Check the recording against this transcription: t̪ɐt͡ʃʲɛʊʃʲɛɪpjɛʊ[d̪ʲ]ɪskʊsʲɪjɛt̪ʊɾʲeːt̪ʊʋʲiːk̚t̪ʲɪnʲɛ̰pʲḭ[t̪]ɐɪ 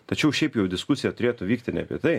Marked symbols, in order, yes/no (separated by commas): yes, yes